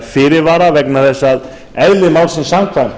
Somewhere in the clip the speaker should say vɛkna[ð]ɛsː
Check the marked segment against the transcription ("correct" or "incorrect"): incorrect